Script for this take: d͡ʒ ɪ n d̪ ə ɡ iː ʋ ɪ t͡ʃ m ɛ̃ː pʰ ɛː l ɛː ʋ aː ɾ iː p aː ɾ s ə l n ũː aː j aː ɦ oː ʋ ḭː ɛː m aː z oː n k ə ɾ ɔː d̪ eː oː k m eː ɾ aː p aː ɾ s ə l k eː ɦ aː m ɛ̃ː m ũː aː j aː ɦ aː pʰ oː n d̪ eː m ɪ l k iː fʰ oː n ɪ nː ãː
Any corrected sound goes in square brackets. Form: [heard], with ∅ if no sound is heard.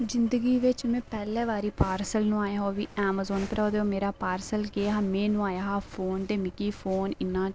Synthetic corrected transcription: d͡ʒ ɪ n d̪ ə ɡ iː ʋ ɪ t͡ʃ m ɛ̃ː [p] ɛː l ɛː ʋ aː ɾ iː p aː ɾ s ə l n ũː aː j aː ɦ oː ʋ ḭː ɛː m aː z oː n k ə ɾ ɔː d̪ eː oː [∅] m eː ɾ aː p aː ɾ s ə l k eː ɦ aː m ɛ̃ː [n] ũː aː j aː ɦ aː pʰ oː n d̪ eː m ɪ [∅] k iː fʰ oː n ɪ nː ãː

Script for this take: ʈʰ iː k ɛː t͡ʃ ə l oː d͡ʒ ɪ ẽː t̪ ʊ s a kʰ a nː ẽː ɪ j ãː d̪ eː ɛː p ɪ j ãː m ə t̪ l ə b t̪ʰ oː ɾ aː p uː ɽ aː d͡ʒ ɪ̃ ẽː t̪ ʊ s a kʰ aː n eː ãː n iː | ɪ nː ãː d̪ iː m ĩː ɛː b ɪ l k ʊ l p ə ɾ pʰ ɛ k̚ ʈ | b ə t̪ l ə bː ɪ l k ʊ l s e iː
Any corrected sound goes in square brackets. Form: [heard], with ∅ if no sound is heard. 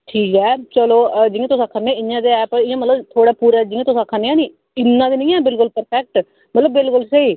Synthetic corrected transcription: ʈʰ iː k ɛː t͡ʃ ə l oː d͡ʒ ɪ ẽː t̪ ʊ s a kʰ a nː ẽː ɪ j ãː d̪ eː ɛː p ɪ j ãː m ə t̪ l ə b t̪ʰ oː [ɽ] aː p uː [ɾ] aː d͡ʒ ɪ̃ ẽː t̪ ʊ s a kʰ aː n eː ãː n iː | ɪ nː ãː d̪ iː [n] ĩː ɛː b ɪ l k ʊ l p ə ɾ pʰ ɛ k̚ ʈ | [m] ə t̪ l ə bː ɪ l k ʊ l s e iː

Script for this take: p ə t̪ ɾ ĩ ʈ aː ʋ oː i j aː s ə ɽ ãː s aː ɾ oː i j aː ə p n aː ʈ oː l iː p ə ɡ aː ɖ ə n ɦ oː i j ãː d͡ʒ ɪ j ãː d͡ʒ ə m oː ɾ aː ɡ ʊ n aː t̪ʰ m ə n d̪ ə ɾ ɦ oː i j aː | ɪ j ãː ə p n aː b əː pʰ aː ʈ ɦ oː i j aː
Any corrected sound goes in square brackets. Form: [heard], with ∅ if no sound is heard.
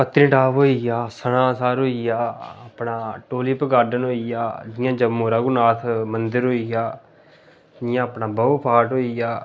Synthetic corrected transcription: p ə t̪ ɾ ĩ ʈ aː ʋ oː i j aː s ə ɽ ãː s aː ɾ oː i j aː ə p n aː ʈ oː l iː p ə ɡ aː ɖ ə n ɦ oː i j [aː] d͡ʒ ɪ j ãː d͡ʒ ə m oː ɾ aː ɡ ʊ n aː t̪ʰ m ə n d̪ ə ɾ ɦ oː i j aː | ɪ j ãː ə p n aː b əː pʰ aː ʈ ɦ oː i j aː

